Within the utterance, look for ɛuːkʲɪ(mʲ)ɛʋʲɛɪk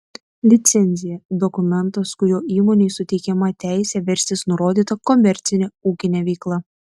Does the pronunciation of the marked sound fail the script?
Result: yes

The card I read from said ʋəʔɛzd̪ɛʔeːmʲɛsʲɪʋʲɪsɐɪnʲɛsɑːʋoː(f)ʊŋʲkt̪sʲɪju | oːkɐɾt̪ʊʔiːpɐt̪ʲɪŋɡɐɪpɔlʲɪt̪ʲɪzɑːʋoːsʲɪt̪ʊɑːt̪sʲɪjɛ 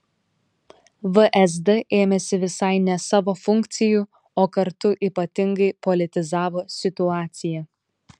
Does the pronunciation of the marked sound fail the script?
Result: no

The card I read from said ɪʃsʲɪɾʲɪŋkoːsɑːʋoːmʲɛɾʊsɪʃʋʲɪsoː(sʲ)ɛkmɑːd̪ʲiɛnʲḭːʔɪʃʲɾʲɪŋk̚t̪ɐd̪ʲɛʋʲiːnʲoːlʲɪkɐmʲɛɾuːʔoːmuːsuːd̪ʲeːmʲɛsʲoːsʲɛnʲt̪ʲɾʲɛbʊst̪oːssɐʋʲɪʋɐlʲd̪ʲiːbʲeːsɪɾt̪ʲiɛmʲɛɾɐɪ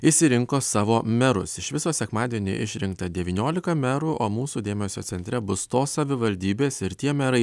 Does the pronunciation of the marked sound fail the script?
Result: no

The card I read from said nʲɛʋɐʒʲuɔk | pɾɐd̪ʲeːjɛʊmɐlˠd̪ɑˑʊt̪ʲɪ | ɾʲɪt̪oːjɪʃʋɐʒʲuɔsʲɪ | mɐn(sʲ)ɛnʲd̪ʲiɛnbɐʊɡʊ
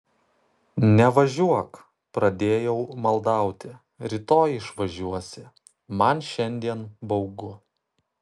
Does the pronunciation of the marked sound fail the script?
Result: yes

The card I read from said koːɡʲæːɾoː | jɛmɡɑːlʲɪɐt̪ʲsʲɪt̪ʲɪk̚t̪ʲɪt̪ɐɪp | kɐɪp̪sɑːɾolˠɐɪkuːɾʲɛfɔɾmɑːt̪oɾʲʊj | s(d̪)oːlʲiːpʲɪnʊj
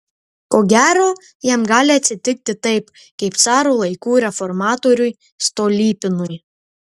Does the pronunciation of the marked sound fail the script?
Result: yes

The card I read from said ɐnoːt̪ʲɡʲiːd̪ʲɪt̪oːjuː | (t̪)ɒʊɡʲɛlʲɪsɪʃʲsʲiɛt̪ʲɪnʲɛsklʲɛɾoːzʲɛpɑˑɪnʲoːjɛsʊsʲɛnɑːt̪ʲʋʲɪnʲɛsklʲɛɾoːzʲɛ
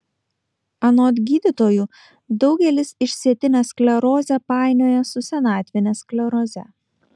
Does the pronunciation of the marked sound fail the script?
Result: yes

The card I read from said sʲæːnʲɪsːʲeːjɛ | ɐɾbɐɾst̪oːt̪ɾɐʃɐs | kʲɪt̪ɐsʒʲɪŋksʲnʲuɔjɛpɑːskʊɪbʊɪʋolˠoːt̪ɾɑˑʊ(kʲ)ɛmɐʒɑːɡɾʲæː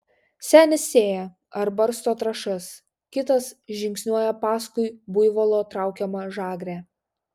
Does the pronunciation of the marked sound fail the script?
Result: no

